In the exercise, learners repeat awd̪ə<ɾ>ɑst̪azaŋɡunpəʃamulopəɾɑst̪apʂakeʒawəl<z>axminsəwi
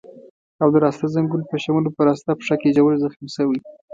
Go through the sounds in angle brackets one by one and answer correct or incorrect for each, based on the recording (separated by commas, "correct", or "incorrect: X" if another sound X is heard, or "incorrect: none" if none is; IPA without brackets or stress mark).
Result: correct, correct